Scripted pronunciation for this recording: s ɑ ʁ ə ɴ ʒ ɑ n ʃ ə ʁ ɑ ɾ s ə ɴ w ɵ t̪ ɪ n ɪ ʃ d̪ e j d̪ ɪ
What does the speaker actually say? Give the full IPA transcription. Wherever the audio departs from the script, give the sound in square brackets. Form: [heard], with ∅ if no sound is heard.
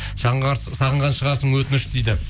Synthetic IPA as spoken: s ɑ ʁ ə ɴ [ʁ] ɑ n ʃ ə ʁ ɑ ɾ s ə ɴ w ɵ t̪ ɪ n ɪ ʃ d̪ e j d̪ ɪ

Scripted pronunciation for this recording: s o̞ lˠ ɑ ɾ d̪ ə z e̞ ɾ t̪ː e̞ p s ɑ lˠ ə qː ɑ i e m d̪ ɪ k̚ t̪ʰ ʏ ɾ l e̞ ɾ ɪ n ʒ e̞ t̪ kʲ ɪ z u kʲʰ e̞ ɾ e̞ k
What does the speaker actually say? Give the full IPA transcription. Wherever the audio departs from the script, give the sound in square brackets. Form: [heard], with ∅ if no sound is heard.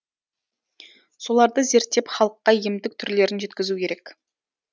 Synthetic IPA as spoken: s o̞ lˠ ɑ ɾ d̪ ə z e̞ ɾ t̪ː e̞ p [χ] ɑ lˠ ə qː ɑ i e m d̪ ɪ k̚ t̪ʰ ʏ ɾ l e̞ ɾ ɪ n ʒ e̞ t̪ kʲ ɪ z u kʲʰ e̞ ɾ e̞ k

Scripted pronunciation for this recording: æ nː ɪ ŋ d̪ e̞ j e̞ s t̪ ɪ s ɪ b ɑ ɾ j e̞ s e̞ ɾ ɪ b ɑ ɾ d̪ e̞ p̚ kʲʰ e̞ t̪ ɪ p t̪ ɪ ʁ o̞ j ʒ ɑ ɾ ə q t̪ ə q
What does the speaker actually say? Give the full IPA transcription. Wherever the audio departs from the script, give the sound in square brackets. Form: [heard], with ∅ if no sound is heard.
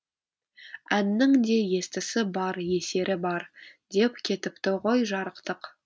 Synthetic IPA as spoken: æ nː ɪ ŋ d̪ e̞ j e̞ s t̪ ɪ s ɪ b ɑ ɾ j e̞ s e̞ ɾ ɪ b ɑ ɾ d̪ e̞ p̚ kʲʰ e̞ t̪ ɪ p t̪ ɪ ʁ o̞ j ʒ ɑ ɾ ə q t̪ ə q

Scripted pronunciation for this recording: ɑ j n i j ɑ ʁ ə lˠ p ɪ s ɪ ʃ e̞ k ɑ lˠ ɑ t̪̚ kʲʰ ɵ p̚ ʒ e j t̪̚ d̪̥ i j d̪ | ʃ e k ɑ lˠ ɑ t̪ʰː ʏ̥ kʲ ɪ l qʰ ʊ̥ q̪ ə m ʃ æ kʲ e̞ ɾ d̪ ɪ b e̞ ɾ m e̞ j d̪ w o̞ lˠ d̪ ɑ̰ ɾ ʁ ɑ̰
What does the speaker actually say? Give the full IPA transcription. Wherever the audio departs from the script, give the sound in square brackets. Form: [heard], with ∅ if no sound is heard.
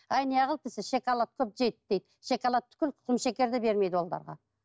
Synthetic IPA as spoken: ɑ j n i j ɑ ʁ ə lˠ p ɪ s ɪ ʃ e̞ k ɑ lˠ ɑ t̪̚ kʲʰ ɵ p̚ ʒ e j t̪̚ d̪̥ [e] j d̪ | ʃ e k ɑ lˠ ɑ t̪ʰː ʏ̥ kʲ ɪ l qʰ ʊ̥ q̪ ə m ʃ [e] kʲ e̞ ɾ d̪ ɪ b e̞ ɾ m e̞ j d̪ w o̞ lˠ d̪ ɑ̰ ɾ ʁ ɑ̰

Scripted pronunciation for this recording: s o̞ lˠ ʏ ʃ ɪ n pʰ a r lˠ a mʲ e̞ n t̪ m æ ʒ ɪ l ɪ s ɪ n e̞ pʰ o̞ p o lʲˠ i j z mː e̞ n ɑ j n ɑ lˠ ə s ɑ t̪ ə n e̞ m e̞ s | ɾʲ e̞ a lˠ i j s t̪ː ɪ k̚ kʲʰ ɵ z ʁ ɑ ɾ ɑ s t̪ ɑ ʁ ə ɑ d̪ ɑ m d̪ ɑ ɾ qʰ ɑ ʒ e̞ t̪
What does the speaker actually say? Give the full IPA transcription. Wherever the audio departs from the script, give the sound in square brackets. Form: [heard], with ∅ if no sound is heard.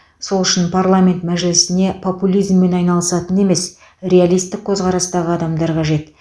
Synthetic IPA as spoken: s o̞ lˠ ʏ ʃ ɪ n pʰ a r lˠ a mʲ e̞ n t̪ m æ ʒ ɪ l ɪ s ɪ n e̞ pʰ o̞ p [u] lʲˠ i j z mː e̞ n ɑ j n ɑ lˠ ə s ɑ t̪ ə n e̞ m e̞ s | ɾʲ e̞ a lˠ i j s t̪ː ɪ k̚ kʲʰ ɵ z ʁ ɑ ɾ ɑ s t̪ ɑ ʁ ə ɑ d̪ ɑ m d̪ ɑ ɾ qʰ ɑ ʒ e̞ t̪

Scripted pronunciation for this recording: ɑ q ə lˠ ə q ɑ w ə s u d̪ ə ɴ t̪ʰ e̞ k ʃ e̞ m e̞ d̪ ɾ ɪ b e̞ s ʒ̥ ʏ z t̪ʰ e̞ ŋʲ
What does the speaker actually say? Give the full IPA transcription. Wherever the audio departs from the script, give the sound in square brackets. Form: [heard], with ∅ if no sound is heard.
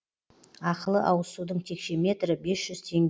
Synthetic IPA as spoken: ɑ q ə lˠ ə [ʔ] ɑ w ə s u d̪ ə ɴ t̪ʰ e̞ k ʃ e̞ m e̞ [t̪] ɾ ɪ b e̞ s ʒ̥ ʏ z t̪ʰ e̞ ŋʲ

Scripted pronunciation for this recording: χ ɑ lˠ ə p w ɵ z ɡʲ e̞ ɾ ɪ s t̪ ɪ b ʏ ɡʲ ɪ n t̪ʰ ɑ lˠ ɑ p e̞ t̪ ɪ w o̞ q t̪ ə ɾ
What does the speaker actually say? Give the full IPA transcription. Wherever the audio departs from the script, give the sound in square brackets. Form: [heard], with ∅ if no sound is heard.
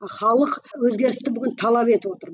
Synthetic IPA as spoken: χ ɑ lˠ ə [q] w ɵ z ɡʲ e̞ ɾ ɪ s t̪ ɪ b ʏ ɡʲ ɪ n t̪ʰ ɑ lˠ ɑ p e̞ t̪ ɪ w o̞ [∅] t̪ ə ɾ

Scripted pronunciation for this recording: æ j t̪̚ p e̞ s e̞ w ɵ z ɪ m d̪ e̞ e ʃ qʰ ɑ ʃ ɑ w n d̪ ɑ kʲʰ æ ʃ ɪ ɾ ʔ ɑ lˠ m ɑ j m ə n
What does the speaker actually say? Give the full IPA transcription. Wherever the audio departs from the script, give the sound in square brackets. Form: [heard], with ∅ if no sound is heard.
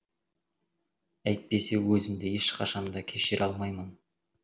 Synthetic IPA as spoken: æ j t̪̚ p e̞ s e̞ w ɵ z ɪ m d̪ e̞ e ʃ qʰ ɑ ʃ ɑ [∅] n d̪ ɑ kʲʰ [e] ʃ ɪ ɾ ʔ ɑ lˠ m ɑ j m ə n

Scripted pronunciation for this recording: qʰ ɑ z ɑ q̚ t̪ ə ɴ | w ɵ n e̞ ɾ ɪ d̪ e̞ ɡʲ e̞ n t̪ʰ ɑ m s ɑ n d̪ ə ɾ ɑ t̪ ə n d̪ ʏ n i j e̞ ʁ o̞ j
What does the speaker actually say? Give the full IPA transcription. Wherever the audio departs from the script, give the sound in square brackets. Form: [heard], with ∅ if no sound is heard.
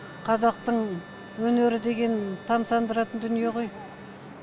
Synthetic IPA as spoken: qʰ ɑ z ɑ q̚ t̪ ə ɴ | w ɵ n e̞ ɾ ɪ d̪ e̞ ɡʲ e̞ n t̪ʰ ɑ m s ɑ n d̪ ə ɾ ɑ t̪ ə n d̪ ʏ n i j e̞ ʁ o̞ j

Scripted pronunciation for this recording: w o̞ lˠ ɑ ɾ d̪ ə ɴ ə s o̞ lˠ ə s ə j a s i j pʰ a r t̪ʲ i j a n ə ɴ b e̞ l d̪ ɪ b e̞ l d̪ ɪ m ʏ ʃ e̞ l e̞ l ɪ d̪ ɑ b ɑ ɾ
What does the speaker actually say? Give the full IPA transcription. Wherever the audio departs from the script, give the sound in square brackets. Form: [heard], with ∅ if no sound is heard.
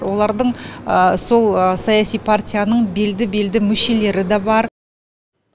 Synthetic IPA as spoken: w o̞ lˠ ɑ ɾ d̪ ə ɴ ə s o̞ lˠ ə s [ɑ] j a s i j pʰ a r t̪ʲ i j a n ə ɴ b e̞ l d̪ ɪ b e̞ l d̪ ɪ m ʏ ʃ e̞ l e̞ [ɾ] ɪ d̪ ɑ b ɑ ɾ

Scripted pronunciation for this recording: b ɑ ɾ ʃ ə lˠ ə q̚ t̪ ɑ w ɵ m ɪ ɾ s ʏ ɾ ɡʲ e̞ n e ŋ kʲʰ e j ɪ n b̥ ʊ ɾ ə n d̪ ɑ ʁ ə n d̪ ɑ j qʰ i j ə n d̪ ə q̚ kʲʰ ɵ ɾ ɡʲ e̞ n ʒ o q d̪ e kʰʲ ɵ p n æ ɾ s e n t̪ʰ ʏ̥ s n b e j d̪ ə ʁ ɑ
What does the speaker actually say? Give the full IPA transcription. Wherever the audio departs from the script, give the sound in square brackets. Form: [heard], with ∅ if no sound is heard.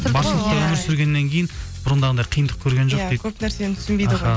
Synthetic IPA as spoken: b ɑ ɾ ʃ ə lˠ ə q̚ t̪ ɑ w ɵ m ɪ ɾ s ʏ ɾ ɡʲ e̞ [nː] e ŋ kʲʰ e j ɪ n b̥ ʊ ɾ ə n d̪ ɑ ʁ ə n d̪ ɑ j qʰ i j ə n d̪ ə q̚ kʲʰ ɵ ɾ ɡʲ e̞ n ʒ o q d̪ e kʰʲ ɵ p n æ ɾ s e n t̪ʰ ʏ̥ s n b e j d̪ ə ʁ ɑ

